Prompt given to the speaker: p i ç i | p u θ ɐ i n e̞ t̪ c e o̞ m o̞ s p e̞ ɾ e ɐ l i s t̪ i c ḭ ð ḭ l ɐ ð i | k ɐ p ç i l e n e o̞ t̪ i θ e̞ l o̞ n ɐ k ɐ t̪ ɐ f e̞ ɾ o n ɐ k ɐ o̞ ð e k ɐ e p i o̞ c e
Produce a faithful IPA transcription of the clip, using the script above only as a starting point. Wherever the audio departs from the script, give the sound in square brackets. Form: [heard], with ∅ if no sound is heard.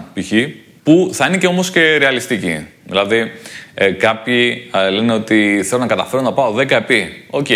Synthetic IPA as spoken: p i ç i | p u θ ɐ i n e̞ [∅] c e o̞ m o̞ s [c] e̞ ɾ e ɐ l i s t̪ i c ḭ ð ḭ l ɐ ð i | k ɐ p ç i l e n e o̞ t̪ i θ e̞ l o̞ n ɐ k ɐ t̪ ɐ f e̞ ɾ o n ɐ [p] ɐ o̞ ð e k ɐ e p i o̞ c e